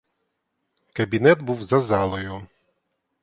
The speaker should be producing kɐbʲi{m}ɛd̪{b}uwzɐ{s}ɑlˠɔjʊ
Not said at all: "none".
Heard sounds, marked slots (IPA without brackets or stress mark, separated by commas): n, b, z